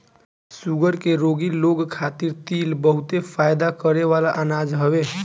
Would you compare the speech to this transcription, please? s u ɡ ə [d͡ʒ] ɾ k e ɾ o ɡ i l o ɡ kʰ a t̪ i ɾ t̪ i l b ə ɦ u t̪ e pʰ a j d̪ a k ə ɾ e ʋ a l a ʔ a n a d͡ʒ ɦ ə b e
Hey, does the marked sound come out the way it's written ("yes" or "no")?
no